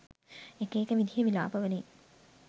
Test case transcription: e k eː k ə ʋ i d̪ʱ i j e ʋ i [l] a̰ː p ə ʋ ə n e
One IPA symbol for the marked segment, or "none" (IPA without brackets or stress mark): l